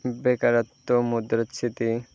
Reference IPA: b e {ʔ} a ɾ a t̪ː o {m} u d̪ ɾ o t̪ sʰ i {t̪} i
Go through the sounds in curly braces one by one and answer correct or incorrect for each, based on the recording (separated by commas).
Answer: incorrect, correct, correct